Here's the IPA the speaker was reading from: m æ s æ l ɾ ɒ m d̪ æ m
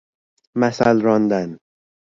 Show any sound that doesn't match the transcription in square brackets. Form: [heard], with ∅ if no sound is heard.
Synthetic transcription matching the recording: m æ s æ l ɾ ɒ [n] d̪ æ [n]